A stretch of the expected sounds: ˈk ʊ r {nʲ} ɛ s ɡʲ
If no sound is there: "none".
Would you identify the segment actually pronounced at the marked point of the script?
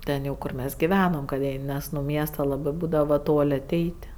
mʲ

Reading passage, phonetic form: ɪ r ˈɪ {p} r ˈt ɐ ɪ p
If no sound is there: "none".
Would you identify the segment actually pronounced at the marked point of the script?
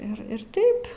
none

